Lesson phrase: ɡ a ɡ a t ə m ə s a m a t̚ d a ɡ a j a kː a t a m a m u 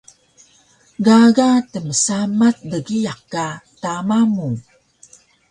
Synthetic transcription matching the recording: ɡ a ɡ a t ə m ə s a m a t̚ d ə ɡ i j a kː a t a m a m u